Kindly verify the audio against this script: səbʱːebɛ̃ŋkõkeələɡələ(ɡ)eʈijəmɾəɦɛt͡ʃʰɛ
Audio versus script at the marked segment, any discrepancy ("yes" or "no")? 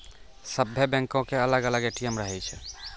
no